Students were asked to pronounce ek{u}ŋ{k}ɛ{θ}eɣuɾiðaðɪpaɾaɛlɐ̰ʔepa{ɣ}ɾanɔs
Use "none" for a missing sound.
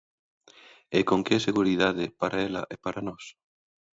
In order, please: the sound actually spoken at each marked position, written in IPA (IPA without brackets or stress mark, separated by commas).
o, k, s, none